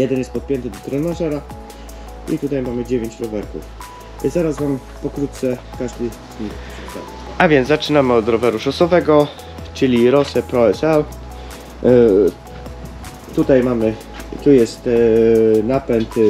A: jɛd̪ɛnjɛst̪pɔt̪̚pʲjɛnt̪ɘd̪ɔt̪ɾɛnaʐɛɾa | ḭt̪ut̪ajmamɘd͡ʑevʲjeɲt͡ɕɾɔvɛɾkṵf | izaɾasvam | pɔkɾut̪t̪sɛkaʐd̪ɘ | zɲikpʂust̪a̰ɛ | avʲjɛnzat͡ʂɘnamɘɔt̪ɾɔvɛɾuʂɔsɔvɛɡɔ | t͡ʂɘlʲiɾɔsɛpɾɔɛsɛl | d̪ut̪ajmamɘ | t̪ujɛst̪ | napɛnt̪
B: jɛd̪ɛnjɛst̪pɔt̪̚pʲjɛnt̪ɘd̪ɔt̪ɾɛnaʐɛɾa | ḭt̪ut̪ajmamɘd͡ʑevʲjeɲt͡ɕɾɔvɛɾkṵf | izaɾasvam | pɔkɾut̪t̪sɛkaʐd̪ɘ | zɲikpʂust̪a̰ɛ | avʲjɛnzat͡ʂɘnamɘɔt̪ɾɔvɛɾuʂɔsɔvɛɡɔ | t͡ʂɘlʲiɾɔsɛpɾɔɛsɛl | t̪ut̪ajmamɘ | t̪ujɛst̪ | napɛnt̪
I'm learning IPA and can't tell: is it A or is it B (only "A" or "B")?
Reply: B